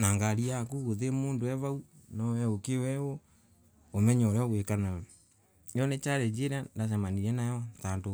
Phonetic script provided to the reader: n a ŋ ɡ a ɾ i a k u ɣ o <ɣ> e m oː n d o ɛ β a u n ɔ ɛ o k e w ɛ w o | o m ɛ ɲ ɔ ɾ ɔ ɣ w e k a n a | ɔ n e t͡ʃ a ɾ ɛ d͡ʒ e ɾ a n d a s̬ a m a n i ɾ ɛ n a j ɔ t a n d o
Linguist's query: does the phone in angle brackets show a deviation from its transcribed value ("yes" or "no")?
yes